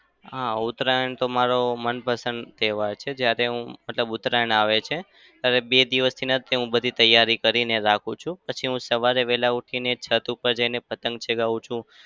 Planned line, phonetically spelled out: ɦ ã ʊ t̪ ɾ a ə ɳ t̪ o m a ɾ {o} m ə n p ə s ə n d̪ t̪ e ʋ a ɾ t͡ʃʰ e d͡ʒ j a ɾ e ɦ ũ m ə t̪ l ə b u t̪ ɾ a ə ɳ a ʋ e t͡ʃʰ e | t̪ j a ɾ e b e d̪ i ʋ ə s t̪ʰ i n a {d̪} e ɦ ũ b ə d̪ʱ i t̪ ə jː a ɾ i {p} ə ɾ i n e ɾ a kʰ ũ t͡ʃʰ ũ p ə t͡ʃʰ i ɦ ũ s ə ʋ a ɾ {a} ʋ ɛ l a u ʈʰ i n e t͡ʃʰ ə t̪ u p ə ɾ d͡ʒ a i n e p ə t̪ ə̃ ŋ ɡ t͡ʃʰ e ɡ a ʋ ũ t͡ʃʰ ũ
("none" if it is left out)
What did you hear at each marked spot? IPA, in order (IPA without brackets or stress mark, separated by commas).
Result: o, t̪, k, e